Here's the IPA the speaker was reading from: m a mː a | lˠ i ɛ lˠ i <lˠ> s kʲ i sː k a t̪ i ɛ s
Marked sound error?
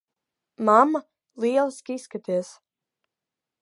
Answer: yes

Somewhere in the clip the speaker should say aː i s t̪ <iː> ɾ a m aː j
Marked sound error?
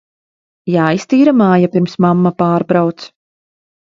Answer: no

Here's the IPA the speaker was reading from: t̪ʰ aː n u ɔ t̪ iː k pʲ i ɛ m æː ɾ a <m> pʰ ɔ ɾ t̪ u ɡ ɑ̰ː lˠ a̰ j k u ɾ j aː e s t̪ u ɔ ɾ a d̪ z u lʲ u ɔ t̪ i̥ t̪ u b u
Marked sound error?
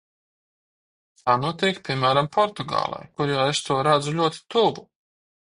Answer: no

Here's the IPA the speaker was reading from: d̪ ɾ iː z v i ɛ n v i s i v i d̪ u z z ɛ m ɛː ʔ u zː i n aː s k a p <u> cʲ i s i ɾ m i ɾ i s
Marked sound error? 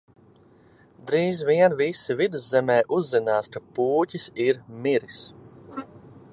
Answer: yes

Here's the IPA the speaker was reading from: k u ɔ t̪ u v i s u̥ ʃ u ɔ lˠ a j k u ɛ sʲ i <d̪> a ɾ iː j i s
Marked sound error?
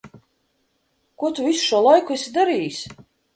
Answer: no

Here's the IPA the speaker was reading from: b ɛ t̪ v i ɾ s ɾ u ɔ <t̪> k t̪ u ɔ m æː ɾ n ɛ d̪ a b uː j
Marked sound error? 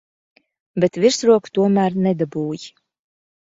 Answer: yes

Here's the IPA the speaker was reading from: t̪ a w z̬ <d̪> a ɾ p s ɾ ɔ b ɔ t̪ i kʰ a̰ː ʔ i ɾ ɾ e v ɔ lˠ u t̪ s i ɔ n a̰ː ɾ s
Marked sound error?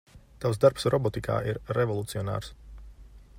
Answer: no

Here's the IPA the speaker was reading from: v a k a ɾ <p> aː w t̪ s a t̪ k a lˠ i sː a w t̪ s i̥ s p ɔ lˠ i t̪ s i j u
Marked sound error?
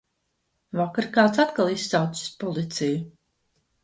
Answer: yes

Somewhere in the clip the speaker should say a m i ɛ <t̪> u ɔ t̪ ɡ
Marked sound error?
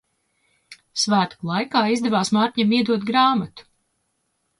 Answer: yes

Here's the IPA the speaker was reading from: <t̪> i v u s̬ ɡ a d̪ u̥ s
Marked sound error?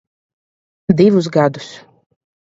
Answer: yes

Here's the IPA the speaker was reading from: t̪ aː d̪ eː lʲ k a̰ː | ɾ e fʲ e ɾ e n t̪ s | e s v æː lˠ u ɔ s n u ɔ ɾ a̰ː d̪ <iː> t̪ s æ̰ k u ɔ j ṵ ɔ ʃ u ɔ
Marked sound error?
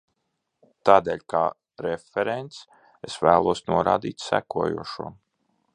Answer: no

